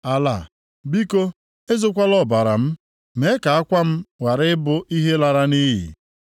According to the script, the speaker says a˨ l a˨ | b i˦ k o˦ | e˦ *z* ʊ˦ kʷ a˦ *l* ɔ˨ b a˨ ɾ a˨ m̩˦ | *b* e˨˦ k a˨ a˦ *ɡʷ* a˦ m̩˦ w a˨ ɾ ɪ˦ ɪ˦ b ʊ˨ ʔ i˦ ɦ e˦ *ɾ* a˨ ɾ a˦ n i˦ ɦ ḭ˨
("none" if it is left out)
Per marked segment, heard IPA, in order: z, l, m, kʷ, l

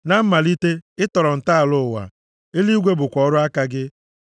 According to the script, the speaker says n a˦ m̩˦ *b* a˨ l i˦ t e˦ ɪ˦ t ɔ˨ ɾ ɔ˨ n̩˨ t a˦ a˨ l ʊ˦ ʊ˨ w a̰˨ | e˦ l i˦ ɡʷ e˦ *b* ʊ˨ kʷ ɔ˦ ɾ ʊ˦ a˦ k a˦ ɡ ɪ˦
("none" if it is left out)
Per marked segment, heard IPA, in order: m, b

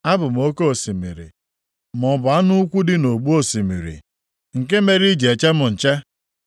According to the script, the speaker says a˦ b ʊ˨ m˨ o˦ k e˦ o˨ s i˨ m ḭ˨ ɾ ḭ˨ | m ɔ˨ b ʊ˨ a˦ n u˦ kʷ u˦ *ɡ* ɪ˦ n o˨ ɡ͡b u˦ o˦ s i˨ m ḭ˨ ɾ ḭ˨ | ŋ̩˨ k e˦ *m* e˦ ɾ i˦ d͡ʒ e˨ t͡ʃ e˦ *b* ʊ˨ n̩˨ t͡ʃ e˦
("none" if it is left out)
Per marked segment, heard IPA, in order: d, m, m

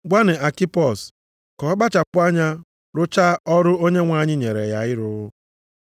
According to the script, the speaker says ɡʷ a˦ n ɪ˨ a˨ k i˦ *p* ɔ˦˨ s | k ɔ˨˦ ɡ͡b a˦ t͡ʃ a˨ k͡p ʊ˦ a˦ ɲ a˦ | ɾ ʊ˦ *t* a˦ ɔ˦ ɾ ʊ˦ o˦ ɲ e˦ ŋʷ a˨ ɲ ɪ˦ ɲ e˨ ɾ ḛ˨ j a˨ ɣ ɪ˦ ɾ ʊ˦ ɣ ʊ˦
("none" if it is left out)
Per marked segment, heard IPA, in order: p, t͡ʃ

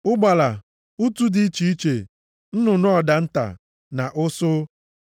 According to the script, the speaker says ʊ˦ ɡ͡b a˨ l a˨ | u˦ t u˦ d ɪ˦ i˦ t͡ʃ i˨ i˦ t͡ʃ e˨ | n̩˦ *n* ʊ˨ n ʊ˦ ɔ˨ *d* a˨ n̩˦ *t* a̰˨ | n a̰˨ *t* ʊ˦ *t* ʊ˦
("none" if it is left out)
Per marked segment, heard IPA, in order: n, d, t, ʔ, s

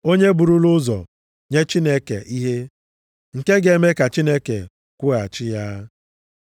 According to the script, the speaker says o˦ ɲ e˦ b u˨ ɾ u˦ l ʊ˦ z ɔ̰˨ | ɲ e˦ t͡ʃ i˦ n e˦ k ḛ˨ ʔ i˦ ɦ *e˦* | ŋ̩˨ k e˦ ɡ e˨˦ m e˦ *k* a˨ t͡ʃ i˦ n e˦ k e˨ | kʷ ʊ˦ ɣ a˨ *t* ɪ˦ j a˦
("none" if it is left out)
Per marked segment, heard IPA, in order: e˦, k, t͡ʃ

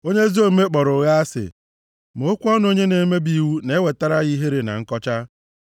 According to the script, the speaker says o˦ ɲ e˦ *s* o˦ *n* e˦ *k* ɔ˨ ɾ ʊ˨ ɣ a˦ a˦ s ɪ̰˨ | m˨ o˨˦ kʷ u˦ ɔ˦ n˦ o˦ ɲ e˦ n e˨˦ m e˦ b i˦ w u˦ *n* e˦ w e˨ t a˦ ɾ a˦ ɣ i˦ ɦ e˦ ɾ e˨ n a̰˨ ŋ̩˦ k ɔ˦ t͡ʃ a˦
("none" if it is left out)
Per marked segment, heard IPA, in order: z, m, k͡p, n

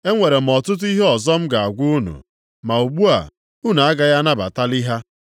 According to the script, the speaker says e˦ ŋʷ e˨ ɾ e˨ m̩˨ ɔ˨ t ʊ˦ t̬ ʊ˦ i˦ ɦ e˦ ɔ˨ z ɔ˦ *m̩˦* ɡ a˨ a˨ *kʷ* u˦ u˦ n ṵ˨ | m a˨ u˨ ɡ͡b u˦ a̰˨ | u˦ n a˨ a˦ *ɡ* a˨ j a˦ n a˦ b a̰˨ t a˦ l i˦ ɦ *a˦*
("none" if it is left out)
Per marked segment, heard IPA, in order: m̩˦, ɡʷ, ɡ, a˦

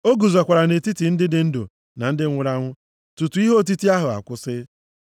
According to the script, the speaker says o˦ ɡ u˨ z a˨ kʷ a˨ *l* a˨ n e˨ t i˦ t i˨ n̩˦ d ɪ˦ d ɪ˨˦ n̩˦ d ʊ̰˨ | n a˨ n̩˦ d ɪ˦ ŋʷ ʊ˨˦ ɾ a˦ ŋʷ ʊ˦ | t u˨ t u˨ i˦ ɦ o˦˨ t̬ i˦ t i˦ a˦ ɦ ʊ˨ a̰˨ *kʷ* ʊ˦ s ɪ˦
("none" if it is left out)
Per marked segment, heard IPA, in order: ɾ, kʷ

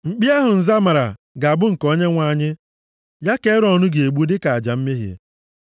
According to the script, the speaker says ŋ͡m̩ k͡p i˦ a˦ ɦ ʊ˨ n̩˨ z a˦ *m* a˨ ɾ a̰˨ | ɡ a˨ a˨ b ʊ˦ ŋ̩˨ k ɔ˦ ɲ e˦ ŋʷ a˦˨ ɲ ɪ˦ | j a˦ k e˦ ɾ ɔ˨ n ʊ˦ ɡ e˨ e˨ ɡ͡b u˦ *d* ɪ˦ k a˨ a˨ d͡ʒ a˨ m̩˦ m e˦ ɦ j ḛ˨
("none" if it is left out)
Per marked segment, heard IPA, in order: m, d

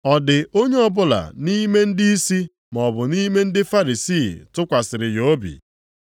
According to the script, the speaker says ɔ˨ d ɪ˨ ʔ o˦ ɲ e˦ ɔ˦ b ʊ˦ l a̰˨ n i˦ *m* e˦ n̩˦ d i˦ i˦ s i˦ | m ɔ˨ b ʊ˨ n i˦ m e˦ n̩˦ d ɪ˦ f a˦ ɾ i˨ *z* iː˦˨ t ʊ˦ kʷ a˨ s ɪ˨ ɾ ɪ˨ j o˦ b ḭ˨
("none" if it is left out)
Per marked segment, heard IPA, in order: m, s

